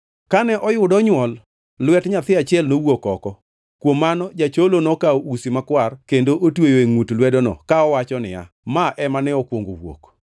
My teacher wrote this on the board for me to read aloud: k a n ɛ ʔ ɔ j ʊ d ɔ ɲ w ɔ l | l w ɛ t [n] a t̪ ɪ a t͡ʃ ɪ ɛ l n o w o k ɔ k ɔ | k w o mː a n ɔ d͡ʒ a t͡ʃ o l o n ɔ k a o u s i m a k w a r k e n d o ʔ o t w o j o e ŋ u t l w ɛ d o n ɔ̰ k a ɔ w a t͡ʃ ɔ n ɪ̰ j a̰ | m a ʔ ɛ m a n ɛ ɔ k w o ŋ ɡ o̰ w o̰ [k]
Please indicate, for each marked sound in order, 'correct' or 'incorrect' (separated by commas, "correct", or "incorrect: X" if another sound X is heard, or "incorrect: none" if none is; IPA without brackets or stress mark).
incorrect: ɲ, correct